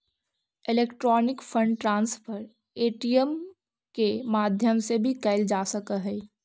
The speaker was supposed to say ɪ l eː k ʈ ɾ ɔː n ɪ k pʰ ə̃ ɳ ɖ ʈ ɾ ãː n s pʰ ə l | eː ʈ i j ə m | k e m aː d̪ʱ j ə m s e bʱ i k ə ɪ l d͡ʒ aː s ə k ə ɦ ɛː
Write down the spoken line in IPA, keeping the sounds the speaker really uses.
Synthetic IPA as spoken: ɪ l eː k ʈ ɾ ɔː n ɪ k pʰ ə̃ ɳ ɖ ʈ ɾ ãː n s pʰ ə ɾ | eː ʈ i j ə m | k e m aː d̪ʱ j ə m s e bʱ i k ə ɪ l d͡ʒ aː s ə k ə ɦ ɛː

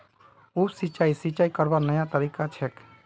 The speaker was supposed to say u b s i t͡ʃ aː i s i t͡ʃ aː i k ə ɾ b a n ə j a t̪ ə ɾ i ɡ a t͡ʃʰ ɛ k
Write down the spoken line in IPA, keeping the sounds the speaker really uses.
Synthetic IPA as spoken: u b s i t͡ʃ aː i s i t͡ʃ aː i k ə ɾ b a n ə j a t̪ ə ɾ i k a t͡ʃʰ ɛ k

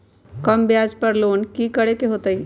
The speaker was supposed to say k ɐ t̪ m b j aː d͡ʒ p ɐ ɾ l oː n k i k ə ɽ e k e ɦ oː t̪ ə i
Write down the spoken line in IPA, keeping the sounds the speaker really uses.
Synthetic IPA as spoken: k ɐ m b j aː d͡ʒ p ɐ ɾ l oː n k i k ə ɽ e k e ɦ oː t̪ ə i

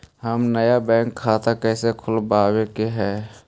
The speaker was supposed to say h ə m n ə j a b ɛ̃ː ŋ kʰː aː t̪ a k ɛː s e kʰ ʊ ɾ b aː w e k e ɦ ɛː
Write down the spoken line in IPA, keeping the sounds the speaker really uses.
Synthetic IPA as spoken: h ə m n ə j a b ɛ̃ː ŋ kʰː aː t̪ a k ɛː s e kʰ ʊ l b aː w e k e ɦ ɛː

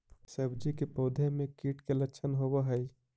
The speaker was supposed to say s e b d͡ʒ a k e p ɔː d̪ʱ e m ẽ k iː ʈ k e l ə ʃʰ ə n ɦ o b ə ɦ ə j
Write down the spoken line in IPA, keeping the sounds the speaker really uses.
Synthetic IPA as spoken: s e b d͡ʒ i k e p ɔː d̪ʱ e m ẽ k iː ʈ k e l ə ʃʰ ə n ɦ o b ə ɦ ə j

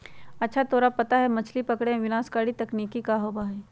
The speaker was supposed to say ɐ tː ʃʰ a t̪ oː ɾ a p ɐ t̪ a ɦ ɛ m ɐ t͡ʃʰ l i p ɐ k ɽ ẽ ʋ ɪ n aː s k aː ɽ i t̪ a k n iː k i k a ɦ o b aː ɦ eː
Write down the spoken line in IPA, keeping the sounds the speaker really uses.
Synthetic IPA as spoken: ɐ tː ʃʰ a t̪ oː ɾ a p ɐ t̪ a ɦ ɛ m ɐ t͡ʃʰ l i p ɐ k ɽ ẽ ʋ ɪ n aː s k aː ɽ i t̪ ɐ k n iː k i k a ɦ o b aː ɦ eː

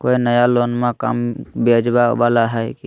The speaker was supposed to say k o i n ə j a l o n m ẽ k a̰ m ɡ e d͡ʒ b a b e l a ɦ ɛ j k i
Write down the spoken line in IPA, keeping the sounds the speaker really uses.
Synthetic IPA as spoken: k o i n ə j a l o n m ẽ k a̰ m b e d͡ʒ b a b a l a ɦ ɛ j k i

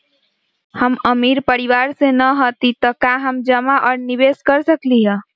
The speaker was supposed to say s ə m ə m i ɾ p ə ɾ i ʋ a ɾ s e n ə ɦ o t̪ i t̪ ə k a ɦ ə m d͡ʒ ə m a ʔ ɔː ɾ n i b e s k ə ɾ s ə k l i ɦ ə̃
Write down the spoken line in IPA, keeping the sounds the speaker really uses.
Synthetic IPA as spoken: h ə m ə m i ɾ p ə ɾ i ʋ a ɾ s e n ə ɦ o t̪ i t̪ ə k a ɦ ə m d͡ʒ ə m a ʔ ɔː ɾ n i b e s k ə ɾ s ə k l i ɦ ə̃

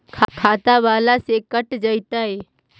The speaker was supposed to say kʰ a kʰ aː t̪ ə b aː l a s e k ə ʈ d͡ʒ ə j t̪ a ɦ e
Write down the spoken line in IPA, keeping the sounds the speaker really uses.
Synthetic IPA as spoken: kʰ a kʰ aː t̪ a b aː l a s e k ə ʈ d͡ʒ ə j t̪ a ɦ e

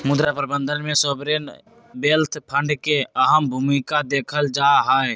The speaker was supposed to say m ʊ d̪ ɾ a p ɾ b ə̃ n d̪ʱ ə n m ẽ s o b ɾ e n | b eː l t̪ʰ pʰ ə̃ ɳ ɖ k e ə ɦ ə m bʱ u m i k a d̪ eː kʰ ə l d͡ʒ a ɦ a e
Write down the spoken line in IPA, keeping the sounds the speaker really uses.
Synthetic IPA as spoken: m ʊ d̪ ɾ a p ɾ b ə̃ n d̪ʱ ə n m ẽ s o b ɾ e n | b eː l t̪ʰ pʰ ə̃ ɳ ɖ k e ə ɦ ə m bʱ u m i k a d̪ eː kʰ ə l d͡ʒ a ɦ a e

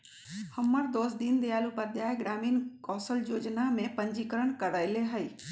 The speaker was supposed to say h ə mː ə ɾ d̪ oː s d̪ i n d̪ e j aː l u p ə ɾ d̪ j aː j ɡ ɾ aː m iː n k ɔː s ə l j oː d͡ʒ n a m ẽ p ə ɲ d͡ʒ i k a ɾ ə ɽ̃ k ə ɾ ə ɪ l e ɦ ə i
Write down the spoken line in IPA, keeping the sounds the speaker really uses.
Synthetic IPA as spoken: h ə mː ə ɾ d̪ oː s d̪ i n d̪ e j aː l u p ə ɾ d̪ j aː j ɡ ɾ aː m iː n k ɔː s ə l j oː d͡ʒ n a m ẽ p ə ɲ d͡ʒ i k ə ɾ ə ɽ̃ k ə ɾ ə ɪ l e ɦ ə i

